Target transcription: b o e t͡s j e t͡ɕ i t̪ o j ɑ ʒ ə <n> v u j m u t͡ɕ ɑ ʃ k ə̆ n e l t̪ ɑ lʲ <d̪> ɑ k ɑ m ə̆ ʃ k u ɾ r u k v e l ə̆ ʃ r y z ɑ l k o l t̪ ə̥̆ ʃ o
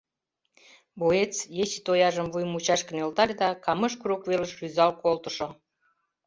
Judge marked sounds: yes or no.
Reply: no, yes

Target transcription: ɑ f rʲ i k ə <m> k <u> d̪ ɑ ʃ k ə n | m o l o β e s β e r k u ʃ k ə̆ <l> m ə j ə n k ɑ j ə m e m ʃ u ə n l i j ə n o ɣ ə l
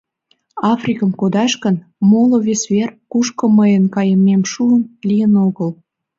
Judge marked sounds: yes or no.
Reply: yes, no, no

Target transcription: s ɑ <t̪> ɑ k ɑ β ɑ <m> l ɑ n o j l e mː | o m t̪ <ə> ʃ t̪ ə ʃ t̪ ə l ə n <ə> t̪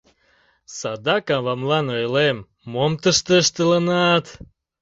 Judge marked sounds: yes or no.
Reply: no, yes, yes, no

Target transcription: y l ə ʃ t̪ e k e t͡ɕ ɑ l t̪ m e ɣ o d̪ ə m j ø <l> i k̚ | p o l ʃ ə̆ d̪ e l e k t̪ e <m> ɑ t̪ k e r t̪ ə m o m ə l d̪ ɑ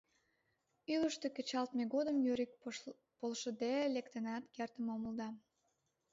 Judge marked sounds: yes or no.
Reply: no, no

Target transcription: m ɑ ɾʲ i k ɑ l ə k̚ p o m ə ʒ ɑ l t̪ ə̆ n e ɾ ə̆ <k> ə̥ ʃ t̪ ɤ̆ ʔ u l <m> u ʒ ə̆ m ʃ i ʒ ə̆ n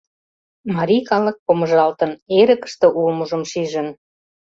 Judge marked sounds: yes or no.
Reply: yes, yes

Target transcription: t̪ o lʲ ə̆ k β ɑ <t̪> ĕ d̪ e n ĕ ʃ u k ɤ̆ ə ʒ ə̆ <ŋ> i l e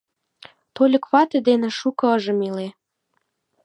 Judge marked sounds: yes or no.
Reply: yes, no

